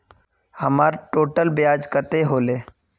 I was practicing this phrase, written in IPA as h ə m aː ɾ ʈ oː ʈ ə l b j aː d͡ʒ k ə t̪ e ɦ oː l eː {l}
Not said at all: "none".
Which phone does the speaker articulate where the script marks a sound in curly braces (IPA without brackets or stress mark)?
none